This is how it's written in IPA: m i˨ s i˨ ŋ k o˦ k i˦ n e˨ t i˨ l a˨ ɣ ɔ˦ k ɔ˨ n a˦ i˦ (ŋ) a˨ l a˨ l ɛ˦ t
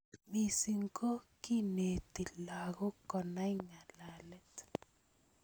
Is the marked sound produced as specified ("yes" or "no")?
yes